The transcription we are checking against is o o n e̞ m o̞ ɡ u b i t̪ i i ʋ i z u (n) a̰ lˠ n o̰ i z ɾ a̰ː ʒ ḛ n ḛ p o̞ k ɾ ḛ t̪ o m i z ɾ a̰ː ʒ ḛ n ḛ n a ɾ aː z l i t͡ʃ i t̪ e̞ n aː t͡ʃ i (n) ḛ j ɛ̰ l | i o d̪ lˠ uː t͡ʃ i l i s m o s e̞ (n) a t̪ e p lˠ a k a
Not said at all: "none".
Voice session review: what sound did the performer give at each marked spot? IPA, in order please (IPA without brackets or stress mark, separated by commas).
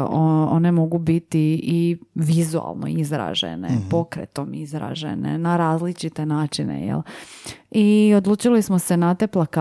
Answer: none, n, n